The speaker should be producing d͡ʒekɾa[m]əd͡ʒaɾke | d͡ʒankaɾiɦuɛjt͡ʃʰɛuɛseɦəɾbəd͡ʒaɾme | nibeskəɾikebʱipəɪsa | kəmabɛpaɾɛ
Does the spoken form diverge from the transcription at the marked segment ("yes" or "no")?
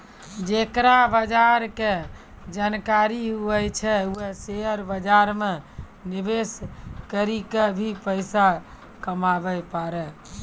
yes